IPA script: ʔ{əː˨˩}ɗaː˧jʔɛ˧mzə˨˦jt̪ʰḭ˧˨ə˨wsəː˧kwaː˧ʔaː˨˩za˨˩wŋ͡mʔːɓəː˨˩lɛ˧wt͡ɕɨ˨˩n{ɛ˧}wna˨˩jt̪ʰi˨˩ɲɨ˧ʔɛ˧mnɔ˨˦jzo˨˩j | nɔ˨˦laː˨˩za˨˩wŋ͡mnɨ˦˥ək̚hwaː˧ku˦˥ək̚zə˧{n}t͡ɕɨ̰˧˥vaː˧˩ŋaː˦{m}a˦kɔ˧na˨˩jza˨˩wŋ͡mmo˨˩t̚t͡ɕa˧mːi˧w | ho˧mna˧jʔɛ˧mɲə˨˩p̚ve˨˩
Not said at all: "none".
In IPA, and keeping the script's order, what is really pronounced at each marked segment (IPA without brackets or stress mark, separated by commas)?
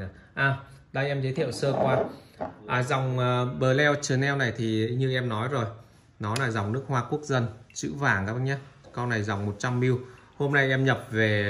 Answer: aː˨˩, ɛ˧, n, ɲ